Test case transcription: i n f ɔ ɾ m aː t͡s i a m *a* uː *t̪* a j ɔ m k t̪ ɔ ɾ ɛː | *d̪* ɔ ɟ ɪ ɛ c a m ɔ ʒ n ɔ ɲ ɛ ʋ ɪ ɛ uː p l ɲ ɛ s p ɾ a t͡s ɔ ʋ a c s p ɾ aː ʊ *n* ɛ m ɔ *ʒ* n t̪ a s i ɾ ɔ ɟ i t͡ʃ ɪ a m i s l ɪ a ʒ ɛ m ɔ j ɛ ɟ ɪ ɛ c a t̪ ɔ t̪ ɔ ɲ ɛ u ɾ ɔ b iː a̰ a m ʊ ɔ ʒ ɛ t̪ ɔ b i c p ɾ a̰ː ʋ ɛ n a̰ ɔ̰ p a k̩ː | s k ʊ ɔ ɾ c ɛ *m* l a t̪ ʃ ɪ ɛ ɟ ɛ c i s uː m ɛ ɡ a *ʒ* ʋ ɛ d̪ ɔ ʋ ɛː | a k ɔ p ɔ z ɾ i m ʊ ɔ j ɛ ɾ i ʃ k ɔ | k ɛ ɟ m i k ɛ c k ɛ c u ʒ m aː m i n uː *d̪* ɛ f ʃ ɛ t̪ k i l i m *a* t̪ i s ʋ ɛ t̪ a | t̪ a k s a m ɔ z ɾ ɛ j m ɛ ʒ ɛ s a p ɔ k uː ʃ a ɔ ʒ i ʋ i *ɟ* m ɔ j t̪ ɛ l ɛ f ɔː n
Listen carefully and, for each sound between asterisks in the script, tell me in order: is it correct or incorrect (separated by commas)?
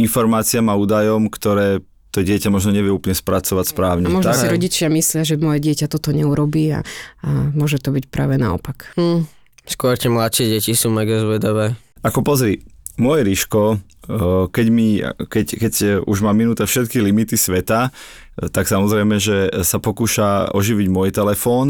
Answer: correct, incorrect, incorrect, incorrect, correct, correct, incorrect, incorrect, incorrect, correct